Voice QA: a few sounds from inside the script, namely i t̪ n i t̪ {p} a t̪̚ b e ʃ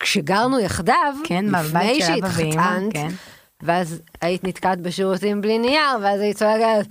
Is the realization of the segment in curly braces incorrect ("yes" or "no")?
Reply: yes